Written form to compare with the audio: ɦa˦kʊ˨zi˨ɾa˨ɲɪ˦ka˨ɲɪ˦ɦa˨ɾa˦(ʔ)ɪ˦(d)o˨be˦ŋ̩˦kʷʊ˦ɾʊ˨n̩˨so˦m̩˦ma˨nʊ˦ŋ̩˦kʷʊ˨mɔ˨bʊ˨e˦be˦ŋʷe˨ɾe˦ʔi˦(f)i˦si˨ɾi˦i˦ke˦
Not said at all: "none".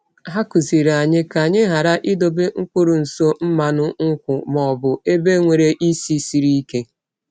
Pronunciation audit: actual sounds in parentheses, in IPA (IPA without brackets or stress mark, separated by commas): ʔ, d, s